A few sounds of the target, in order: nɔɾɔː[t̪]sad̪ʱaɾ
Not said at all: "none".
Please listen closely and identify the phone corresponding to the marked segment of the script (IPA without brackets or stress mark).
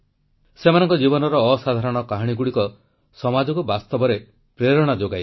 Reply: none